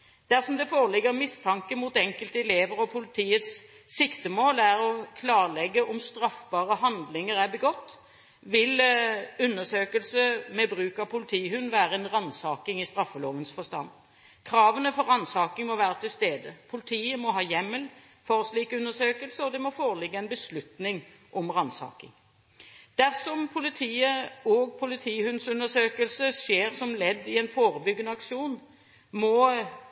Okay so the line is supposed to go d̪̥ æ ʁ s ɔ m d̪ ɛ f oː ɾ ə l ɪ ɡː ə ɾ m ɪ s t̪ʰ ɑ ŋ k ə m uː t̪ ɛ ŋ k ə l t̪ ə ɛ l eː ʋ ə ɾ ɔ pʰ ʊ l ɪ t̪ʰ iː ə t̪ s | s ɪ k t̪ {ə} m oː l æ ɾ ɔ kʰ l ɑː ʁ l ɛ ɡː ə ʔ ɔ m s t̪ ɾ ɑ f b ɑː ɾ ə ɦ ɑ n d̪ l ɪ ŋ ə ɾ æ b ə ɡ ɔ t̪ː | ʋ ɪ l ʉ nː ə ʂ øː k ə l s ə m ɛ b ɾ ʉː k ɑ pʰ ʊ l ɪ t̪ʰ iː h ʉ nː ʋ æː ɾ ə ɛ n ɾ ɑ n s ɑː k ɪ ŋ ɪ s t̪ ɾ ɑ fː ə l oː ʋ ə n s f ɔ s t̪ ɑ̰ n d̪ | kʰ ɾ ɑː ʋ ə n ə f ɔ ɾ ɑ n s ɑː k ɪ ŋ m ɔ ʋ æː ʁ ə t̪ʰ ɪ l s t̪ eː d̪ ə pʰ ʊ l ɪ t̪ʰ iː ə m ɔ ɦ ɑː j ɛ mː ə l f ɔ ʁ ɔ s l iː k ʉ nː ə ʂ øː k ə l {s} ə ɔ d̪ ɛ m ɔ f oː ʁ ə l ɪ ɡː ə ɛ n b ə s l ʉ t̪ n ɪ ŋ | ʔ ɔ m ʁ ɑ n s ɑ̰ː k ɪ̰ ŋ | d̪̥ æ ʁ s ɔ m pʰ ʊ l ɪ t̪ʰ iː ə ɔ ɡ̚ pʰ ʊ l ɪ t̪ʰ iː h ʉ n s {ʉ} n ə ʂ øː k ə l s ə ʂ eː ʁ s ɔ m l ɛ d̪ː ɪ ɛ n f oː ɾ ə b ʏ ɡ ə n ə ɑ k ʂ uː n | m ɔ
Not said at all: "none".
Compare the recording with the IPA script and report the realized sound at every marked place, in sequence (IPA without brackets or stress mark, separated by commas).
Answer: ə, s, ʉ